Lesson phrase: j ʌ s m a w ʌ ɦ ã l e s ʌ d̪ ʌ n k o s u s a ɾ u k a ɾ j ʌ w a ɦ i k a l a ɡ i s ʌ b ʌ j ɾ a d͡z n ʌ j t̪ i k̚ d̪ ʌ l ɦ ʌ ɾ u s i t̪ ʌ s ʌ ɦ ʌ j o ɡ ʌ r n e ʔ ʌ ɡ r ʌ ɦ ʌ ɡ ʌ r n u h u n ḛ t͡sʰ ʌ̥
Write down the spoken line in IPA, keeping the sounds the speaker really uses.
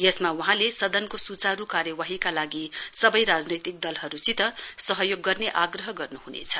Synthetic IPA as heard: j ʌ s m a w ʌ ɦ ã l e s ʌ d̪ ʌ n k o s u t͡s a ɾ u k a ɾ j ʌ w a ɦ i k a l a ɡ i s ʌ b ʌ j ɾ a d͡z n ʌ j t̪ i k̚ d̪ ʌ l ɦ ʌ ɾ u s i t̪ ʌ s ʌ ɦ ʌ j o ɡː ʌ r n e ʔ a ɡ r ʌ ɦ ʌ ɡ ʌ r n u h u n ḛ t͡sʰ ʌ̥

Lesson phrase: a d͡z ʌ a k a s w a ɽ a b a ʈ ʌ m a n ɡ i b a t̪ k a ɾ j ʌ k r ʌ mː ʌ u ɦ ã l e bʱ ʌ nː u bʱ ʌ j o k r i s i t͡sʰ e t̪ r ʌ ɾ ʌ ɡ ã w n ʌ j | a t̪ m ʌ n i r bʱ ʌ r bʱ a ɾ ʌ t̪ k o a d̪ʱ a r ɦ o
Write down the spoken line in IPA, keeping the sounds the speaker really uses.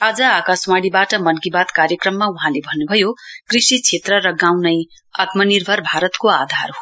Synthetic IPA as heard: a d͡z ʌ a k a s w a ɽ i b a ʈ ʌ m ʌ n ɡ i b a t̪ k a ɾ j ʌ k r ʌ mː a u ɦ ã l e bʱ ʌ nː u bʱ ʌ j o k r i s i t͡sʰ e t̪ r ʌ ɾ ʌ ɡ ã w n ʌ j | a t̪ m ʌ n i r bʱ ʌ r bʱ a ɾ ʌ t̪ k o a d̪ʱ a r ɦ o

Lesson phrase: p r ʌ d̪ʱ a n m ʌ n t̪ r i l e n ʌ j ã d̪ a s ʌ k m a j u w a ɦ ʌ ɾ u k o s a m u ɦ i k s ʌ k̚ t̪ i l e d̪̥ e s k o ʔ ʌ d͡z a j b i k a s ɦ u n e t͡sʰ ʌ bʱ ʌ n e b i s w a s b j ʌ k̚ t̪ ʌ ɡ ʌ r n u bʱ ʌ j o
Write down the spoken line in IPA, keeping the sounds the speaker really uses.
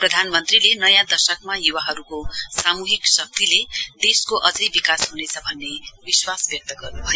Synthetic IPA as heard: p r ʌ d̪ʱ a n m ʌ n t̪ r i l e n ʌ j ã d̪ ʌ s ʌ k m a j u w a ɦ ʌ ɾ u k o s a m u ɦ i k s ʌ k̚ t̪ i l e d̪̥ e s k o ʔ ʌ d͡z ʌ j b i k a s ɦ u n e t͡sʰ ʌ bʱ ʌ nː e b i s w a s b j ʌ k̚ t̪ ʌ ɡ ʌ r n u bʱ ʌ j o

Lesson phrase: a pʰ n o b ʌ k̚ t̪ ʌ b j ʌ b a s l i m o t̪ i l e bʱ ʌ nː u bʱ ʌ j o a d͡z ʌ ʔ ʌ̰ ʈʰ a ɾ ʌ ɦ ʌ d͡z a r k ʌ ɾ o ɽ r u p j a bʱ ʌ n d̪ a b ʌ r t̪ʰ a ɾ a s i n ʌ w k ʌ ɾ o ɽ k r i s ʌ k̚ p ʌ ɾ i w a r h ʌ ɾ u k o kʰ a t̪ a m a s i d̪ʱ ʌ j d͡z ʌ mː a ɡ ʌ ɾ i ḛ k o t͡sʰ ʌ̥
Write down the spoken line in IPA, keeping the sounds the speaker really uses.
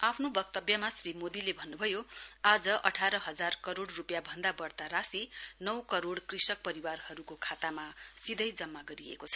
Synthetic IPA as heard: a pʰ n o b ʌ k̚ t̪ ʌ b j ʌ m a s r i m o d̪ i l e bʱ ʌ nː u bʱ ʌ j o a d͡z ʌ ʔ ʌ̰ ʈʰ a ɾ ʌ ɦ ʌ d͡z a r k ʌ ɾ o ɽ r u p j a bʱ ʌ n d̪ a b ʌ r t̪ a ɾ a s i n ʌ w k ʌ ɾ o ɽ k r i s ʌ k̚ p ʌ ɾ i w a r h ʌ ɾ u k o kʰ a t̪ a m a s i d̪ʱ ʌ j d͡z ʌ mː a ɡ ʌ ɾ i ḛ k o t͡sʰ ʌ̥

